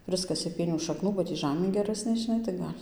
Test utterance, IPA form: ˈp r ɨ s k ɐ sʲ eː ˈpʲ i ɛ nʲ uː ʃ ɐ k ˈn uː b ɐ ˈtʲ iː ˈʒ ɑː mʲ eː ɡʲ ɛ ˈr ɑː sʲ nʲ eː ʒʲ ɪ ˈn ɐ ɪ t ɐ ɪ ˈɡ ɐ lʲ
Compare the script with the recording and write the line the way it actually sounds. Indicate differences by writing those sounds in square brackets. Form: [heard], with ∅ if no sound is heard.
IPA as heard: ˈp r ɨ s k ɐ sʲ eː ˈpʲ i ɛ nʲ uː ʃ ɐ k ˈn uː b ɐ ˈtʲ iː ˈʒ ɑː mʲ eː ɡʲ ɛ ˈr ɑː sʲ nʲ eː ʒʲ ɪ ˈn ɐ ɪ t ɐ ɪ ˈɡ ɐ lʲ